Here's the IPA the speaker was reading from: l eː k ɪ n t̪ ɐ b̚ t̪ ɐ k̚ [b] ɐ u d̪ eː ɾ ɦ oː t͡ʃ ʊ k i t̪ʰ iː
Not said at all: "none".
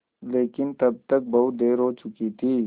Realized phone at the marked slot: b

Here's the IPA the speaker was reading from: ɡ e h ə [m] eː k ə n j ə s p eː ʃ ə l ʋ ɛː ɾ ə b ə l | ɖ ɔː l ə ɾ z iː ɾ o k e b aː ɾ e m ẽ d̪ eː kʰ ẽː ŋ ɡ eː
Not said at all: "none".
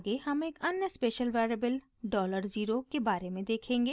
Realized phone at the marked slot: m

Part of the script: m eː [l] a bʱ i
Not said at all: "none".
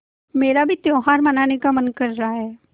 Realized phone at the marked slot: ɾ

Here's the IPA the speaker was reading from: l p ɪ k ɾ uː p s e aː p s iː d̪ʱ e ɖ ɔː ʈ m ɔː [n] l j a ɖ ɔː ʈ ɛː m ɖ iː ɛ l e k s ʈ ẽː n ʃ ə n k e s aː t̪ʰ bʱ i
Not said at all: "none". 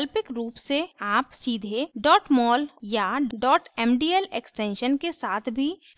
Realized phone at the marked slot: none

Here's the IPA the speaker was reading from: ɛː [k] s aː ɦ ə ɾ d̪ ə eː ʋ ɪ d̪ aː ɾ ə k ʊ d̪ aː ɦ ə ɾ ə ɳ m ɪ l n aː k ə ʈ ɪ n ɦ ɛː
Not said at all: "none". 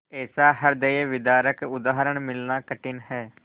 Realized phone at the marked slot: none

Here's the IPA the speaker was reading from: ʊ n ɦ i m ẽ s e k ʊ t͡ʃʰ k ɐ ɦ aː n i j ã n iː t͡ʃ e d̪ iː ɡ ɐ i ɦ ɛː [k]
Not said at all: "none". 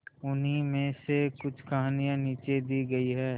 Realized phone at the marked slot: none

